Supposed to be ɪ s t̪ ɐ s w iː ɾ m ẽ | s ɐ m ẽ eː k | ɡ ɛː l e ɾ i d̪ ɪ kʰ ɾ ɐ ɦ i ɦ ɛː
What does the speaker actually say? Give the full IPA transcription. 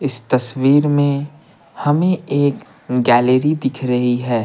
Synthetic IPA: ɪ s t̪ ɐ s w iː ɾ m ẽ | h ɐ m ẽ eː k | ɡ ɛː l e ɾ i d̪ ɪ kʰ ɾ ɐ ɦ i ɦ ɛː